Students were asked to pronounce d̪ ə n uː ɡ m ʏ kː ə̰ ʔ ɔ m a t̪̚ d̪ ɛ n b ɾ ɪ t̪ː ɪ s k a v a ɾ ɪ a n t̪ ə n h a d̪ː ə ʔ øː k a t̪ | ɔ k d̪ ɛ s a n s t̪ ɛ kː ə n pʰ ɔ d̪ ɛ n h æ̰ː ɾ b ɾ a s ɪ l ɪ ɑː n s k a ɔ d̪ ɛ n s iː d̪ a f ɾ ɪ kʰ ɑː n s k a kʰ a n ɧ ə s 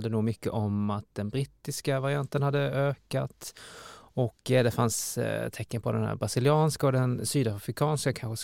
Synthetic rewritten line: d̪ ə n uː ɡ m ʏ kː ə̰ ʔ ɔ m a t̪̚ d̪ ɛ n b ɾ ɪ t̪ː ɪ s k a v a ɾ ɪ a n t̪ ə n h a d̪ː ə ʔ øː k a t̪ | ɔ k d̪ ɛ f a n s t̪ʰ ɛ kː ə n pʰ ɔ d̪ ɛ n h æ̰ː ɾ b ɾ a s ɪ l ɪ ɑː n s k a ɔ d̪ ɛ n s yː d̪ a f ɾ ɪ kʰ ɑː n s k a kʰ a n ɧ ə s